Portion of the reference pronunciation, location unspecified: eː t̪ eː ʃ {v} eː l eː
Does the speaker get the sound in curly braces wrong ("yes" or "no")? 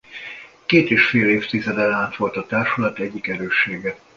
yes